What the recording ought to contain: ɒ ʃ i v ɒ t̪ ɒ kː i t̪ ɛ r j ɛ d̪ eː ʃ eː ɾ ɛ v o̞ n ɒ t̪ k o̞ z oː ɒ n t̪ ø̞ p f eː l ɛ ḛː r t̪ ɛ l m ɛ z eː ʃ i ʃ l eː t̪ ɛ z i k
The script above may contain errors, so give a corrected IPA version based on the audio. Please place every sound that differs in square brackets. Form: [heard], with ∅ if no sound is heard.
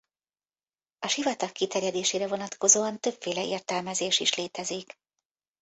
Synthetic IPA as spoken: ɒ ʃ i v ɒ t̪ ɒ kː i t̪ ɛ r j ɛ d̪ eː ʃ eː ɾ ɛ v o̞ n ɒ t̪ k o̞ z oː ɒ n t̪ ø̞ p f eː l ɛ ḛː r t̪ ɛ l m ɛ z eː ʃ i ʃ l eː t̪ ɛ z i k

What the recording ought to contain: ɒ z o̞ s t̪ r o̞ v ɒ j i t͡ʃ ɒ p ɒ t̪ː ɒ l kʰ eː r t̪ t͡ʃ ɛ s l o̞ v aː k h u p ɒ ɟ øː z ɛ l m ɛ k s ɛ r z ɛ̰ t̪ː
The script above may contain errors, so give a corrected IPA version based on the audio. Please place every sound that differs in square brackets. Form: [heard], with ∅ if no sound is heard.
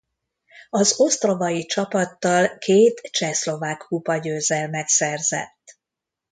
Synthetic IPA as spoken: ɒ z o̞ s t̪ r o̞ v ɒ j i t͡ʃ ɒ p ɒ t̪ː ɒ l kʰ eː [∅] t̪ t͡ʃ ɛ s l o̞ v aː k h u p ɒ ɟ øː z ɛ l m ɛ k s ɛ r z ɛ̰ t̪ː

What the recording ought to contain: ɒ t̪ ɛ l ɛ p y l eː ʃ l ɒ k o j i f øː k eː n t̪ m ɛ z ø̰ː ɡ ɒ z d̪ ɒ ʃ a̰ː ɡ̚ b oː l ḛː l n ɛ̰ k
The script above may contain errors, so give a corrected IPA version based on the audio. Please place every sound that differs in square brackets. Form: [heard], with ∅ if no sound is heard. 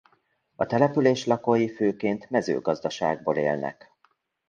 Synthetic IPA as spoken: ɒ t̪ ɛ l ɛ p y l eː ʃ l ɒ k o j i f øː k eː n t̪ m ɛ z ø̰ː ɡ ɒ z d̪ ɒ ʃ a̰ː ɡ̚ b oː l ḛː l n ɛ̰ k

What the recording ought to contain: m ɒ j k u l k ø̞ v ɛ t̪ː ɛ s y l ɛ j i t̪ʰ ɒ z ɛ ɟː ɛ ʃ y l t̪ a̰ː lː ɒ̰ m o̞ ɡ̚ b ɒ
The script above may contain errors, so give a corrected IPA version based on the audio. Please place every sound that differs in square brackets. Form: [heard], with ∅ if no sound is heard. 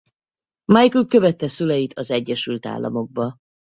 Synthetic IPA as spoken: m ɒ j k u l k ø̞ v ɛ t̪ː ɛ s y l ɛ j i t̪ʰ ɒ z ɛ ɟː ɛ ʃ y l t̪ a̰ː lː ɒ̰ m o̞ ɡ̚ b ɒ

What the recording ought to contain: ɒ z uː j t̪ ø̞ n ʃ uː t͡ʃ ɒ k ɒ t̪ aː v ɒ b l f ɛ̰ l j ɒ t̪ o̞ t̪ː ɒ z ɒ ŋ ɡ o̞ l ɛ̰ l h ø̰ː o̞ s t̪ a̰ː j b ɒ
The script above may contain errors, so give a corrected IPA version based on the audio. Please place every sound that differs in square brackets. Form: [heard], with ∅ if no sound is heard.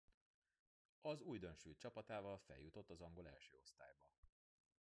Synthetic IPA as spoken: ɒ z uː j [d̪] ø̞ n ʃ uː t͡ʃ ɒ [p] ɒ t̪ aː v ɒ [∅] l f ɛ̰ l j [u] t̪ o̞ t̪ː ɒ z ɒ ŋ ɡ o̞ l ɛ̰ l [ʃ] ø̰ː o̞ s t̪ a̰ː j b ɒ

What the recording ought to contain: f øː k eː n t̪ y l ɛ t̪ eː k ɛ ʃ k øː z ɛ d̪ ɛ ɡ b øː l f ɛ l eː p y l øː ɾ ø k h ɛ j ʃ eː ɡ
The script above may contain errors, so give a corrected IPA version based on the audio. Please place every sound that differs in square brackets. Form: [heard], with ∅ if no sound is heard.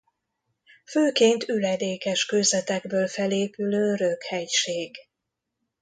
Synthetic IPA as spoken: f øː k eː n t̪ y l ɛ [d̪] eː k ɛ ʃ k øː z ɛ [t̪] ɛ ɡ b øː l f ɛ l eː p y l øː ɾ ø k h ɛ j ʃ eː ɡ

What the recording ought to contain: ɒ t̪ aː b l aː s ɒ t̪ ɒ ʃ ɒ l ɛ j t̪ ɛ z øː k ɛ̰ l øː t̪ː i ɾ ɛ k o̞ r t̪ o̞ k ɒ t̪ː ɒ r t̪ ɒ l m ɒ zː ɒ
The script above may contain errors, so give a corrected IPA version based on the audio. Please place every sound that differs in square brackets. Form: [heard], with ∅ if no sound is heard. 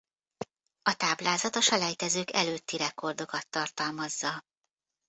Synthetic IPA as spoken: ɒ t̪ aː b l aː [z] ɒ t̪ ɒ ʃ ɒ l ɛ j t̪ ɛ z øː k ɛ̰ l øː t̪ː i ɾ ɛ k o̞ r [d̪] o̞ k ɒ t̪ː ɒ r t̪ ɒ l m ɒ zː ɒ

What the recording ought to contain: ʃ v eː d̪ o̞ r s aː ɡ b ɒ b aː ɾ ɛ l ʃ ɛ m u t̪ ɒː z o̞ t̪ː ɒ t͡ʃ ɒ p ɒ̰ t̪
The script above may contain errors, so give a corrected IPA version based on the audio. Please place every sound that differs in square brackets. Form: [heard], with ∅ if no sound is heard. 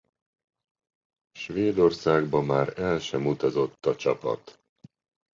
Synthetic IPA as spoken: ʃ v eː d̪ o̞ r s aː ɡ b ɒ [m] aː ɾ ɛ l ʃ ɛ m u t̪ [ɒ] z o̞ t̪ː ɒ t͡ʃ ɒ p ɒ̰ t̪

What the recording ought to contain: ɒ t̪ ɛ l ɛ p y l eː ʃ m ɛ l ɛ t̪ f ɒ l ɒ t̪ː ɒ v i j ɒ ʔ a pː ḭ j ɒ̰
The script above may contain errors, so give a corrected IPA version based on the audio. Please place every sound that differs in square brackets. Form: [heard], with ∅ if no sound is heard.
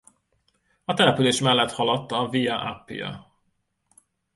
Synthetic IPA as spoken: ɒ t̪ ɛ l ɛ p y l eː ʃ m ɛ [lː] ɛ t̪ [h] ɒ l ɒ t̪ː ɒ v i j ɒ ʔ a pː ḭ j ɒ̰

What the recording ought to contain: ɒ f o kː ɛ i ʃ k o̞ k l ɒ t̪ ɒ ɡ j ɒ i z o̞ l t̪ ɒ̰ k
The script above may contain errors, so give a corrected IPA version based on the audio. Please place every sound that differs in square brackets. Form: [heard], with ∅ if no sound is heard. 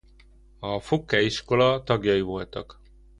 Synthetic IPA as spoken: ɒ f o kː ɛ i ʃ k o̞ [∅] l ɒ t̪ ɒ ɡ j ɒ i [v] o̞ l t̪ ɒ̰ k

